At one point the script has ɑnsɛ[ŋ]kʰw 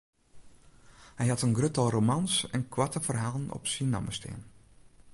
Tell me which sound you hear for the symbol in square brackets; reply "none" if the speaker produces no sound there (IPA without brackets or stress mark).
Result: n